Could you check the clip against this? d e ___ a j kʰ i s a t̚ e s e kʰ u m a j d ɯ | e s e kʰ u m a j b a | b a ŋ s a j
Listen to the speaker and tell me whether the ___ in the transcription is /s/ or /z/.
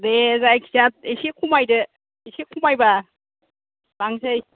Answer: z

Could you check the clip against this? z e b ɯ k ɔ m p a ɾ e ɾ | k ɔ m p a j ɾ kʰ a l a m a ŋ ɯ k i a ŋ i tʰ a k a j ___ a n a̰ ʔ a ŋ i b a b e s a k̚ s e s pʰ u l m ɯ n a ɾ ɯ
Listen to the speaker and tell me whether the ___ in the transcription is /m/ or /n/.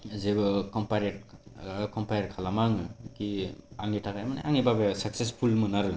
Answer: m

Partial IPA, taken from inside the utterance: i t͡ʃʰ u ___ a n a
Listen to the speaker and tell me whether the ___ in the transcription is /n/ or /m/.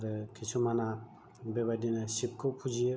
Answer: m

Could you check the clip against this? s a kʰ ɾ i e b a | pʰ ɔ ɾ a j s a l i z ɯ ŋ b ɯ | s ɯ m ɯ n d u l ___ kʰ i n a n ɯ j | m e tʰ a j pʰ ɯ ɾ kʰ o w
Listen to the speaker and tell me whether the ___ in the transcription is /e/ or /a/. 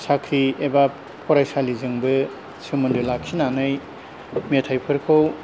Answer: a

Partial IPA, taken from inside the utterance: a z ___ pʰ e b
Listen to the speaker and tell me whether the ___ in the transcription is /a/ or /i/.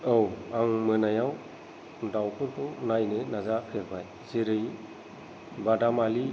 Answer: a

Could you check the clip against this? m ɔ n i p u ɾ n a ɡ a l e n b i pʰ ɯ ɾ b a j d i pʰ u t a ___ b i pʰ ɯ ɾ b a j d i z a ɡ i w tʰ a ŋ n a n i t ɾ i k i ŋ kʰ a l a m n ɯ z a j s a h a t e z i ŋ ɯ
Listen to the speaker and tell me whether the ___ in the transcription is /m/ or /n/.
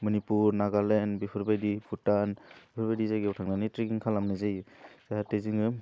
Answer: n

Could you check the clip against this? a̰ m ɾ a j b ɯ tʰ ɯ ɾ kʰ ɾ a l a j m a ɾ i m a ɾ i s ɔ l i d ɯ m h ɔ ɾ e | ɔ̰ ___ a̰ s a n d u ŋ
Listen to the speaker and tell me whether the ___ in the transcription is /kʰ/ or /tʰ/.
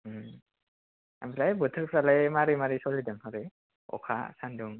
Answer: kʰ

